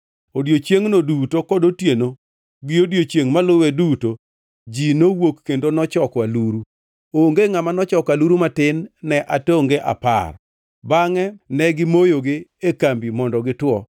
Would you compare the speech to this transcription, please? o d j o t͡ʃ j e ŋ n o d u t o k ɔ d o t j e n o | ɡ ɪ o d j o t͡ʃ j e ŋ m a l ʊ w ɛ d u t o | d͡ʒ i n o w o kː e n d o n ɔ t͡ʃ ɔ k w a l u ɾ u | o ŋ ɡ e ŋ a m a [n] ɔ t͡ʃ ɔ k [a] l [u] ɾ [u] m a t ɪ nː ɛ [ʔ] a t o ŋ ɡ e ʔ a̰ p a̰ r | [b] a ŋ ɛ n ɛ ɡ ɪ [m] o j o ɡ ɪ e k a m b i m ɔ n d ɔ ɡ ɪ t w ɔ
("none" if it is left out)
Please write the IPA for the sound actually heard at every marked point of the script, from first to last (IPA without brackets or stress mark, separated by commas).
n, a, u, u, ʔ, b, m